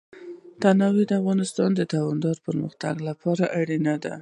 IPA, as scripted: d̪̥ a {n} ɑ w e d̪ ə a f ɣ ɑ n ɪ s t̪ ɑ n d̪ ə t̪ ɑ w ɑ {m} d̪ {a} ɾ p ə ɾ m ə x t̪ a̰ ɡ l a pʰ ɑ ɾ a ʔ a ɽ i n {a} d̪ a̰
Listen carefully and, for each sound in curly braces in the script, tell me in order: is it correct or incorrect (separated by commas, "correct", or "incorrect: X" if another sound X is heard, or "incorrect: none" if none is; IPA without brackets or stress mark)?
correct, incorrect: n, incorrect: ɑ, correct